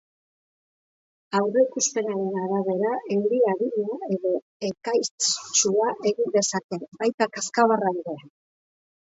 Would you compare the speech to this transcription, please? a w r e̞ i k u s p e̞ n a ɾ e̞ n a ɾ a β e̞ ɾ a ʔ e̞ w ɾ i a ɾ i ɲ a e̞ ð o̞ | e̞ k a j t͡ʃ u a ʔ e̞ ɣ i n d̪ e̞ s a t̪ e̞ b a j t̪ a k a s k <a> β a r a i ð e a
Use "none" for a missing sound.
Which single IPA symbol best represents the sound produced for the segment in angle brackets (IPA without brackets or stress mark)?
a